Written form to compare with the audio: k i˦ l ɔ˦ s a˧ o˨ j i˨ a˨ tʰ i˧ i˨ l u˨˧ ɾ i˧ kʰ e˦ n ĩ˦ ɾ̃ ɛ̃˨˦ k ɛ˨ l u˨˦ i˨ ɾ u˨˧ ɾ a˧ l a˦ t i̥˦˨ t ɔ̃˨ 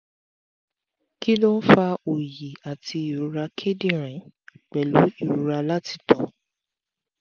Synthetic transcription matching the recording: k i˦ l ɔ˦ f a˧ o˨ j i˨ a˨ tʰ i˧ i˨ ɾ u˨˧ ɾ a˧ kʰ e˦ d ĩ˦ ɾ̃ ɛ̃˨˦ k͡p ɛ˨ l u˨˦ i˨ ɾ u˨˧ ɾ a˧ l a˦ t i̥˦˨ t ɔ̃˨